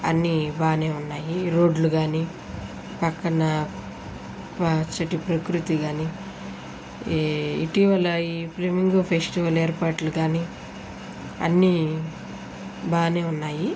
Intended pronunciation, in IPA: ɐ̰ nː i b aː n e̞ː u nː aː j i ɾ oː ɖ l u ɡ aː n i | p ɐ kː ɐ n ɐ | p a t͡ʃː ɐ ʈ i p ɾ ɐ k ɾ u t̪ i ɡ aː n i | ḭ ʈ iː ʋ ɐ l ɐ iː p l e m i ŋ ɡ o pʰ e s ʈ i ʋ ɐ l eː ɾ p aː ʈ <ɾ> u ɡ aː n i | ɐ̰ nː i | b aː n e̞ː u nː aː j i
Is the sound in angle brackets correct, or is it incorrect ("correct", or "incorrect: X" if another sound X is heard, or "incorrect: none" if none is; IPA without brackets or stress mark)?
incorrect: l